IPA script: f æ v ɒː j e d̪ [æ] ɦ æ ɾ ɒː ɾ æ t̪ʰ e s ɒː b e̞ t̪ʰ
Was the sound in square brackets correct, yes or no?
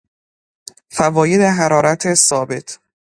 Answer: no